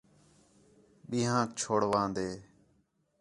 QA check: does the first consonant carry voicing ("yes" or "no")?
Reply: yes